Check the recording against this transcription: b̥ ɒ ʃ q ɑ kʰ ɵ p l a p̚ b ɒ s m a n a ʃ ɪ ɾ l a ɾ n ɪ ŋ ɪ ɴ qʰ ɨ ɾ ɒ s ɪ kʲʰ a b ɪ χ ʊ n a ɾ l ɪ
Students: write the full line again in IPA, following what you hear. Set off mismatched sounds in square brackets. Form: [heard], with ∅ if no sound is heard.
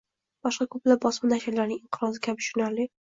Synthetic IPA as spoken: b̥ ɒ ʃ q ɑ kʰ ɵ p l a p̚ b ɒ s m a n a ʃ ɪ ɾ l a ɾ n ɪ ŋ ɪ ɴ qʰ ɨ ɾ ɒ [z] ɪ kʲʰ a b ɪ [ʃ] ʊ n a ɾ l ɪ